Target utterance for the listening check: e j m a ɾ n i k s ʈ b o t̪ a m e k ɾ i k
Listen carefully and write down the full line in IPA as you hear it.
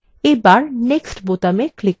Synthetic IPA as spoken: e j b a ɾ n e k s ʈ b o t̪ a m e k l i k